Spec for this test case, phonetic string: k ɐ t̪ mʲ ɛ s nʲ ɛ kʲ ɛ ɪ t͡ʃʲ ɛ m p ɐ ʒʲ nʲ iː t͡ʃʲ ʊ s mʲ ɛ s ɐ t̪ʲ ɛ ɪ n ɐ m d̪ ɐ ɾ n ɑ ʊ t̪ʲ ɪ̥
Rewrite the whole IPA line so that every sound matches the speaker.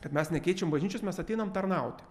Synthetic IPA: k ɐ t̪ mʲ ɛ s nʲ ɛ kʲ ɛ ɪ t͡ʃʲ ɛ m b ɐ ʒʲ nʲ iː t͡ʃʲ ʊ s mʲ ɛ s ɐ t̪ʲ ɛ ɪ n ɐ m t̪ ɐ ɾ n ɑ ʊ t̪ʲ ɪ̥